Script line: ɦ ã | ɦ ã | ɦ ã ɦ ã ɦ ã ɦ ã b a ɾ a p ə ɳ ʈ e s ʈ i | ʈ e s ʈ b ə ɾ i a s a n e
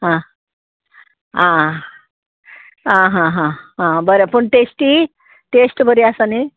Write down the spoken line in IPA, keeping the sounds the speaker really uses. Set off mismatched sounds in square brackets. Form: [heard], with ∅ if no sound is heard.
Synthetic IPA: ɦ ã | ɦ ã | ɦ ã ɦ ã ɦ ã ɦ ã b [ə] ɾ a p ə ɳ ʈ e s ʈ i | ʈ e s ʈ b ə ɾ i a s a n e